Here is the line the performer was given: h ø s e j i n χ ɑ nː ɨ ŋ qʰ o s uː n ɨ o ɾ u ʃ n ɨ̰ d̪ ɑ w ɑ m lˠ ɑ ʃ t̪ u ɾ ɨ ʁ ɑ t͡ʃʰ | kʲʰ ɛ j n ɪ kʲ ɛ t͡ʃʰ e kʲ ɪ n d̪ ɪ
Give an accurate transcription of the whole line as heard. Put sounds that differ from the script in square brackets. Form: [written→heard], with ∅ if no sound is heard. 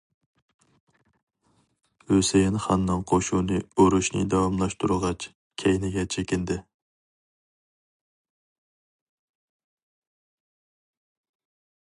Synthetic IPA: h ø s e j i n χ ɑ nː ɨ ŋ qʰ o [s→ʃ] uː n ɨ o ɾ u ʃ n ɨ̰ d̪ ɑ w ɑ m lˠ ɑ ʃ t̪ u ɾ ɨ ʁ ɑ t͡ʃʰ | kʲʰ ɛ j n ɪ [kʲ→ɡʲ] ɛ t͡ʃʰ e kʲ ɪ n d̪ ɪ